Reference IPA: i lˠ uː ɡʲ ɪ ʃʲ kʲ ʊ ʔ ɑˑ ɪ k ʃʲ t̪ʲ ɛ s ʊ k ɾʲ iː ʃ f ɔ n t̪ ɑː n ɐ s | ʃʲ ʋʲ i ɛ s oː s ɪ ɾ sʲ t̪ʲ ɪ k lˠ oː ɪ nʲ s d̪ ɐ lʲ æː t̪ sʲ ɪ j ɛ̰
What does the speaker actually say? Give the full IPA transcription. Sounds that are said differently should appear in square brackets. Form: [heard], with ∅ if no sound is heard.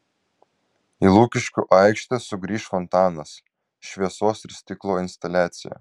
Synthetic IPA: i lˠ uː [kʲ] ɪ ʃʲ kʲ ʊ ʔ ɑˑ ɪ k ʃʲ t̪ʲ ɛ s ʊ [ɡ] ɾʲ iː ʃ f ɔ n t̪ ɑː n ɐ s | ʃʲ ʋʲ i ɛ s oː s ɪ ɾ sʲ t̪ʲ ɪ k lˠ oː ɪ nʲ s [t̪] ɐ lʲ æː t̪ sʲ ɪ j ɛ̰

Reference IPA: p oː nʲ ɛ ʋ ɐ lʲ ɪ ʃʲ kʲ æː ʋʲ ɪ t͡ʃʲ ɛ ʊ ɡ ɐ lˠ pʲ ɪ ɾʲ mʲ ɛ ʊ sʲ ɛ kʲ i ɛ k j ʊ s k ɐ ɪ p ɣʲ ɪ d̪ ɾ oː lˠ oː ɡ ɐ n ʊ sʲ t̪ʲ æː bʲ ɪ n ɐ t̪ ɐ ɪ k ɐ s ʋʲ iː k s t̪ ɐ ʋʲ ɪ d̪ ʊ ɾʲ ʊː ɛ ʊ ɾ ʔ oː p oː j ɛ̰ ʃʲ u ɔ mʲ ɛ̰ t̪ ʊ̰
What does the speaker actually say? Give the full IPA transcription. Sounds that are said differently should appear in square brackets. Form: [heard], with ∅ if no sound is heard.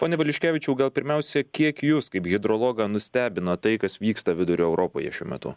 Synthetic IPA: p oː nʲ ɛ ʋ ɐ lʲ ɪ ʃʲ kʲ æː ʋʲ ɪ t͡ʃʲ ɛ ʊ ɡ ɐ lˠ pʲ ɪ ɾʲ mʲ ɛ ʊ sʲ ɛ kʲ i ɛ k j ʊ s k ɐ ɪ p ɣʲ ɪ d̪ ɾ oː lˠ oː ɡ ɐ n ʊ sʲ t̪ʲ æː bʲ ɪ n ɐ t̪ ɐ ɪ k ɐ s ʋʲ iː k s t̪ ɐ ʋʲ ɪ d̪ ʊ ɾʲ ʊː ɛ ʊ ɾ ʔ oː p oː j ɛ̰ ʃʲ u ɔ mʲ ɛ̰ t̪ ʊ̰

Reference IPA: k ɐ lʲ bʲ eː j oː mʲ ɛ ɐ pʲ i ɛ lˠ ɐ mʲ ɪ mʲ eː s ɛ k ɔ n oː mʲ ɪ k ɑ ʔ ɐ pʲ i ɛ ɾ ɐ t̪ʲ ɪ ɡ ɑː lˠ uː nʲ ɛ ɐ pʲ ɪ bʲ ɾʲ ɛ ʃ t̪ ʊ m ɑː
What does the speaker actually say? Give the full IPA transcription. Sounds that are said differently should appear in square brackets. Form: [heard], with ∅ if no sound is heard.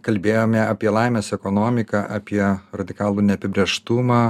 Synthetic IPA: k ɐ lʲ bʲ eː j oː mʲ ɛ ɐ pʲ i ɛ lˠ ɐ [∅] ɪ mʲ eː s ɛ k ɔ n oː mʲ ɪ k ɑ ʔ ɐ pʲ i ɛ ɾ ɐ [d̪ʲ] ɪ [k] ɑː lˠ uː nʲ ɛ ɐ pʲ ɪ bʲ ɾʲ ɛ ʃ t̪ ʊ m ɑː

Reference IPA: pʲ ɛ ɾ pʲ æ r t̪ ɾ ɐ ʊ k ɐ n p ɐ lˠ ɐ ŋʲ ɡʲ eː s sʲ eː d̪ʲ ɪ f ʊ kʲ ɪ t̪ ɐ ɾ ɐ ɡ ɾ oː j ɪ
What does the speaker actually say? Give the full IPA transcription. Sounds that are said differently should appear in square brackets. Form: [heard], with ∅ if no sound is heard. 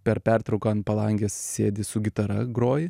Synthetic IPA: pʲ ɛ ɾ pʲ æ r t̪ ɾ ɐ ʊ k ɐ n p ɐ lˠ ɐ ŋʲ ɡʲ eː s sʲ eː d̪ʲ ɪ [s] ʊ [ɡʲ] ɪ t̪ ɐ ɾ ɐ ɡ ɾ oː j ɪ

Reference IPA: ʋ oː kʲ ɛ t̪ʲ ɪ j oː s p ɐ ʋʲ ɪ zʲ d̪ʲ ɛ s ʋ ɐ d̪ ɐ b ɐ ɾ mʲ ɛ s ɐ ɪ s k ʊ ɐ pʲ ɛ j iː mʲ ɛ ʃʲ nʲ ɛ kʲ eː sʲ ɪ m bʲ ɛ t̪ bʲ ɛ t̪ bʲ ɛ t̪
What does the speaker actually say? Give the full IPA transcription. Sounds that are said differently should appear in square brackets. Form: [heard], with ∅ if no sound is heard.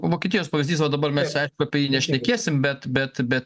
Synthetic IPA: ʋ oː kʲ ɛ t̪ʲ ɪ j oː s p ɐ ʋʲ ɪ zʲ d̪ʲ [i] s ʋ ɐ d̪ ɐ b ɐ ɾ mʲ ɛ s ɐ ɪ [ʃ] k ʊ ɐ pʲ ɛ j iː [nʲ] ɛ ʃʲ nʲ ɛ kʲ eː sʲ ɪ m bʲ ɛ t̪ bʲ ɛ t̪ bʲ ɛ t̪

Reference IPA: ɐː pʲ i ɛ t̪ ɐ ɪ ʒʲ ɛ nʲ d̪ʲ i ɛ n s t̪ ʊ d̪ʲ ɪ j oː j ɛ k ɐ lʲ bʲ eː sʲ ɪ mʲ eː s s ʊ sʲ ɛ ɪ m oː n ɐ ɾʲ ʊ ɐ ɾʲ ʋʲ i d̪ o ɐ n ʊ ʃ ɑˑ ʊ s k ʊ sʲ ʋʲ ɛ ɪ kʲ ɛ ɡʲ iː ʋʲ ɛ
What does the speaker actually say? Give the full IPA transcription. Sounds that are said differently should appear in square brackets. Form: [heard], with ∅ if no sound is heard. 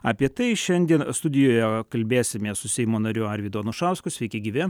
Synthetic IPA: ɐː pʲ i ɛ t̪ ɐ ɪ [ʃʲ] ɛ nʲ d̪ʲ i ɛ n s t̪ ʊ d̪ʲ ɪ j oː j ɛ k ɐ lʲ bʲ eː sʲ ɪ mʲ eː s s ʊ sʲ ɛ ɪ m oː n ɐ ɾʲ ʊ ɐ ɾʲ ʋʲ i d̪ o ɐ n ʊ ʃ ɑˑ ʊ s k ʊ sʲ ʋʲ ɛ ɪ kʲ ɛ ɡʲ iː ʋʲ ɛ

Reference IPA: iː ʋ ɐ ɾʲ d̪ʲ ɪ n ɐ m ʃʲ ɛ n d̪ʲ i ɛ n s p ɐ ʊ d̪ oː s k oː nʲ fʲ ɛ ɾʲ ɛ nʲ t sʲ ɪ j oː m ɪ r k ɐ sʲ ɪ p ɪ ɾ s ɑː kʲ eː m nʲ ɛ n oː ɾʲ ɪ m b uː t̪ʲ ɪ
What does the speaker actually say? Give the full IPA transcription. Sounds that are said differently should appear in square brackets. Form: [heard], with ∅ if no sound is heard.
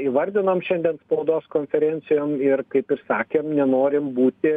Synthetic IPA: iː ʋ ɐ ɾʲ d̪ʲ ɪ n ɐ m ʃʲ ɛ n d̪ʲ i ɛ n s p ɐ ʊ d̪ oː s k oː nʲ fʲ ɛ ɾʲ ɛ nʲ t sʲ ɪ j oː m ɪ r k ɐ [∅] ɪ p ɪ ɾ s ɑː kʲ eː m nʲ ɛ n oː ɾʲ ɪ m b uː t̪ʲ ɪ

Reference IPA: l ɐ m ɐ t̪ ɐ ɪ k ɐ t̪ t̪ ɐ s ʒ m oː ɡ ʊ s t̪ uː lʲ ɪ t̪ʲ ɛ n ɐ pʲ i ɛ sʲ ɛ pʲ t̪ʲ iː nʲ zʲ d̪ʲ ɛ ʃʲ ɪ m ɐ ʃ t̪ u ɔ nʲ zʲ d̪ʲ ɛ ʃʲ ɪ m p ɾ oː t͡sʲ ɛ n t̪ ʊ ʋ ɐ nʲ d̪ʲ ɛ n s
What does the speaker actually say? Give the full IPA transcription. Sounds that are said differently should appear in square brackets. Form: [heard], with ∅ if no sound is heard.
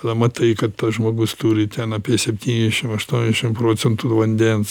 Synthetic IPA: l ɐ m ɐ t̪ ɐ ɪ k ɐ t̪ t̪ ɐ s ʒ m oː ɡ ʊ s t̪ uː [ɾʲ] ɪ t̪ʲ ɛ n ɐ pʲ i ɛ sʲ ɛ pʲ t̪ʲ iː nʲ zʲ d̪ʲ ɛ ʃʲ ɪ m ɐ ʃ t̪ u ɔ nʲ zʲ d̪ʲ ɛ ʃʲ ɪ m p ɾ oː t͡sʲ ɛ n t̪ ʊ ʋ ɐ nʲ d̪ʲ ɛ n s

